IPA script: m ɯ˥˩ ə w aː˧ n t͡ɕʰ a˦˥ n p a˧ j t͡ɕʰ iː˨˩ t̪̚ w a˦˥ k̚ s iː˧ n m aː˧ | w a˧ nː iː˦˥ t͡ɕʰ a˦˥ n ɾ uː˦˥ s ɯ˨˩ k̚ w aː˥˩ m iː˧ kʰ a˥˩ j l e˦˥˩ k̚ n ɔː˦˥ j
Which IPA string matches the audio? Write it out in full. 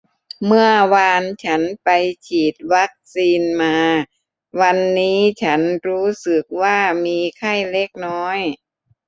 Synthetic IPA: m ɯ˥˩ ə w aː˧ n t͡ɕʰ a˦˥ n p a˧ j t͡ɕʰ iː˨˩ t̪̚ w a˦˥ k̚ s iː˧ n m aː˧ | w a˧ nː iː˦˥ t͡ɕʰ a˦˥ n ɾ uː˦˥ s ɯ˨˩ k̚ w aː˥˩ m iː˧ kʰ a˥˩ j l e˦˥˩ k̚ n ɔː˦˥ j